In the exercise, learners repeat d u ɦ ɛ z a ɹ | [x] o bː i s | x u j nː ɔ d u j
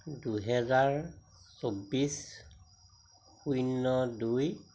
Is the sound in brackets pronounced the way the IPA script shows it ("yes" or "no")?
no